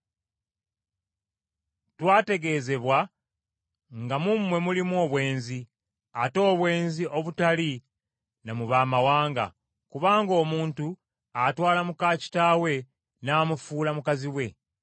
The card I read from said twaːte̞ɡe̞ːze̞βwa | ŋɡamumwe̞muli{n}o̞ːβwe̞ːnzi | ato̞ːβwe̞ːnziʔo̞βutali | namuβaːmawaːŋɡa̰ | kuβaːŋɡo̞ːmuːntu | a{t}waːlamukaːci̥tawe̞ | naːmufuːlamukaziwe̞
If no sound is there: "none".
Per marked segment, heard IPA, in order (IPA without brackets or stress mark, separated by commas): m, t